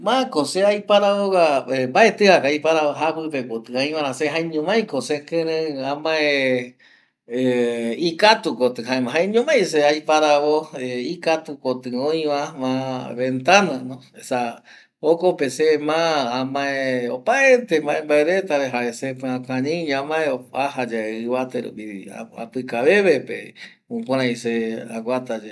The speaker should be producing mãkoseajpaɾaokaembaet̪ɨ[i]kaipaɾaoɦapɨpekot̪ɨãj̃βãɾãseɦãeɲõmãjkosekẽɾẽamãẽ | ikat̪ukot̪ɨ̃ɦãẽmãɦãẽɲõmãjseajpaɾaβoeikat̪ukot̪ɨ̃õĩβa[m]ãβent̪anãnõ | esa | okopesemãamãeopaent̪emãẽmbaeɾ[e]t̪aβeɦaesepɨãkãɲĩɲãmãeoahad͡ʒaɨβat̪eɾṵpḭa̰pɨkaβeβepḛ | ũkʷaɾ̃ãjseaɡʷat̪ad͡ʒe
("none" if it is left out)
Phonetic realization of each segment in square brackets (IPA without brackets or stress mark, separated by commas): a, m, e